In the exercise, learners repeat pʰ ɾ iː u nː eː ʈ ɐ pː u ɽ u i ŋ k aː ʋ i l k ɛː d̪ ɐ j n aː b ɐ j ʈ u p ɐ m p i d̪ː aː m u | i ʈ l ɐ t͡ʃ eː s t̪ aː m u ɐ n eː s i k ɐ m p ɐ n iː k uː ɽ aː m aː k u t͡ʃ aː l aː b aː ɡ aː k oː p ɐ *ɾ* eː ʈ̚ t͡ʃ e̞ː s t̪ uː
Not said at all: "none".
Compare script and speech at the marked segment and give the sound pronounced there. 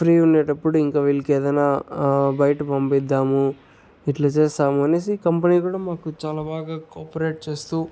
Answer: ɾ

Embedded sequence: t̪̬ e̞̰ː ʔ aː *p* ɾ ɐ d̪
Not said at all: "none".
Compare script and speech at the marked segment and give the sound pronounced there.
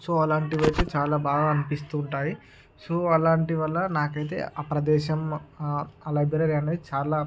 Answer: p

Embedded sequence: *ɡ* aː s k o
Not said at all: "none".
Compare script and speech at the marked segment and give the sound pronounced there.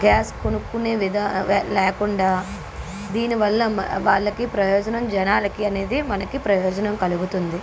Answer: ɡ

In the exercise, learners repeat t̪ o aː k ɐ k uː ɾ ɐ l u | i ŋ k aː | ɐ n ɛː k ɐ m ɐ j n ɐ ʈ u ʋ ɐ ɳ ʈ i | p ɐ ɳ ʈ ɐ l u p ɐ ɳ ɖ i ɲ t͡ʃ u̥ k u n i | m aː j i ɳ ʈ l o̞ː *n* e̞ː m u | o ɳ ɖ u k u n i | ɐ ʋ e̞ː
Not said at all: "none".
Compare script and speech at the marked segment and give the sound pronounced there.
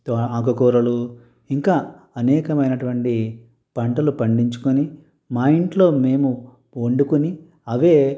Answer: m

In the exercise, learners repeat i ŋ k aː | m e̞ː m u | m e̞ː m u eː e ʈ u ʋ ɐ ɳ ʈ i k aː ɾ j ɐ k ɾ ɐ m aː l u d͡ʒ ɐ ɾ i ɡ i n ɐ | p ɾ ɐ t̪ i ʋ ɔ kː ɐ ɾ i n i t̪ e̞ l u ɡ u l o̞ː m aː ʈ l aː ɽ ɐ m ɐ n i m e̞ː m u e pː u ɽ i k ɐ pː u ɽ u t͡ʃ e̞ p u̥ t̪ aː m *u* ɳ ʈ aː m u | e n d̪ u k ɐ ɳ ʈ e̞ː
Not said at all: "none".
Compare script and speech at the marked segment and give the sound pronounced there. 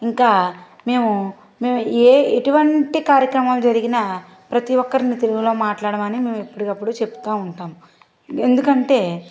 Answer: u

